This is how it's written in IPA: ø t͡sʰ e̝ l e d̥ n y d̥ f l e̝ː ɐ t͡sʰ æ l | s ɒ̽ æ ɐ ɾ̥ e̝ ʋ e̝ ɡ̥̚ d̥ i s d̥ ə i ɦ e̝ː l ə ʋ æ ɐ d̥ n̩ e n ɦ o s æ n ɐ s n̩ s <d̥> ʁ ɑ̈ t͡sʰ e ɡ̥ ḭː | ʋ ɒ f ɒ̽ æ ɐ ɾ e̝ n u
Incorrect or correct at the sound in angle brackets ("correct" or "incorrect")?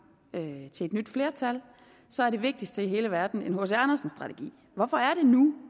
correct